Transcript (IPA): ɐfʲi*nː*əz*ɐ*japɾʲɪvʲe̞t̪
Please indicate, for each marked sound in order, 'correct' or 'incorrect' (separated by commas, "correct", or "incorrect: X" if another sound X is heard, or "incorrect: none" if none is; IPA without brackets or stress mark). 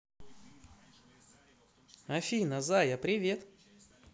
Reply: incorrect: n, incorrect: a